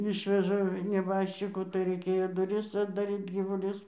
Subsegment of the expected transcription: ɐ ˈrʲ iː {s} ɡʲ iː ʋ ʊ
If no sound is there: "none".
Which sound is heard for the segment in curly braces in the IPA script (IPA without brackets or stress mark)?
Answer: t